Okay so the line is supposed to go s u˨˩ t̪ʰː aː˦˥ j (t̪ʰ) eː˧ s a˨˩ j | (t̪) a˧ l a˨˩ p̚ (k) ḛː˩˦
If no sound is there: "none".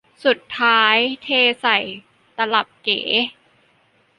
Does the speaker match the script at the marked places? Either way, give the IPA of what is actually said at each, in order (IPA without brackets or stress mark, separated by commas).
t̪ʰ, t̪, k